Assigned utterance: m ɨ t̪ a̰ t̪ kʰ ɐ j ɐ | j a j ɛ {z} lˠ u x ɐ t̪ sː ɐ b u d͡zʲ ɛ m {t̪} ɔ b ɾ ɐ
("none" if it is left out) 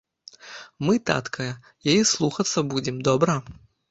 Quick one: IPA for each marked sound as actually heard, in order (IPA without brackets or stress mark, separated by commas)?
s, d̪